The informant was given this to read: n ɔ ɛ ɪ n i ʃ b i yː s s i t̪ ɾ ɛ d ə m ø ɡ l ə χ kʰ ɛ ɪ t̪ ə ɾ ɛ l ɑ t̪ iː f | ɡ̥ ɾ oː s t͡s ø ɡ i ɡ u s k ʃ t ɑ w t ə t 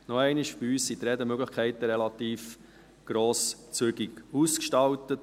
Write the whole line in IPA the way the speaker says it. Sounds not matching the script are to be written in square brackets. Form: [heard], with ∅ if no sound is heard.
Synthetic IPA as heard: n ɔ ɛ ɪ n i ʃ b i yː s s i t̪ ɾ ɛ d ə m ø ɡ l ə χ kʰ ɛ ɪ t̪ ə ɾ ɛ l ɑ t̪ iː f | ɡ̥ ɾ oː s t͡s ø ɡ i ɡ u s k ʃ t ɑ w t ə t